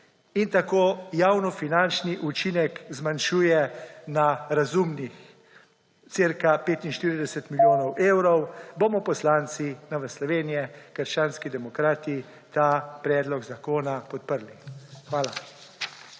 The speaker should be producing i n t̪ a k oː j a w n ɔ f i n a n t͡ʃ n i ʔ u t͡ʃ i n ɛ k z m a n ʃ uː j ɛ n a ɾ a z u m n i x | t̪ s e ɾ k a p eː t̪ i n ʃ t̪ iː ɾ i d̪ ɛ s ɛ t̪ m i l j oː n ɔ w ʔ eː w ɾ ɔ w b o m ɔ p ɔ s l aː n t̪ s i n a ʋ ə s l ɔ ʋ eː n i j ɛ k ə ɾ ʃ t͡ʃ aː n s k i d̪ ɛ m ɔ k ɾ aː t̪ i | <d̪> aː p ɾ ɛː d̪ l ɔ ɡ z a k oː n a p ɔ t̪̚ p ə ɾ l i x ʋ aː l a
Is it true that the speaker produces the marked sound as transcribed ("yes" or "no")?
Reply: no